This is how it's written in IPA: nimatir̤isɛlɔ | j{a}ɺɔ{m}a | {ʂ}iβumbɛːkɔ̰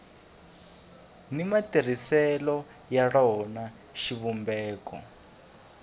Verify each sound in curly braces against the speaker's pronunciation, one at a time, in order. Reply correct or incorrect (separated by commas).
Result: correct, incorrect, incorrect